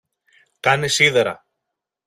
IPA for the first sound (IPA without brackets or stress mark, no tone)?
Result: k